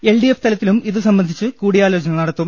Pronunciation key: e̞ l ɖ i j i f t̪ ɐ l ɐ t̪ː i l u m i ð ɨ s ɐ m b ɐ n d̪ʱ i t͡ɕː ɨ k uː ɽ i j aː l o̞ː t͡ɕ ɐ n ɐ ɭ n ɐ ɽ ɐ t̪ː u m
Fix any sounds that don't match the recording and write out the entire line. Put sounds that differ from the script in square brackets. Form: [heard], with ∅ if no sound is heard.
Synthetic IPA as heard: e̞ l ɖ i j [e] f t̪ ɐ l ɐ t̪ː i l u m i ð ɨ s ɐ m b ɐ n d̪ʱ i t͡ɕː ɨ k uː ɽ i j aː l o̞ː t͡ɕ ɐ n ɐ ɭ n ɐ ɽ ɐ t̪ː u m